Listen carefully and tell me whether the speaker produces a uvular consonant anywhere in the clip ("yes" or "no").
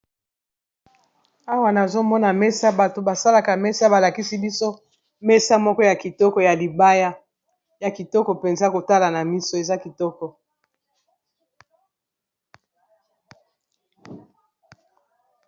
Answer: no